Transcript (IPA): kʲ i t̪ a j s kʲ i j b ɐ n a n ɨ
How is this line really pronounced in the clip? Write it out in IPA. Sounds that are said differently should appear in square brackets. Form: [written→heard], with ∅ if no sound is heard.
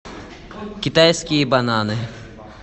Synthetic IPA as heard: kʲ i t̪ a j s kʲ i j b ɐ n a n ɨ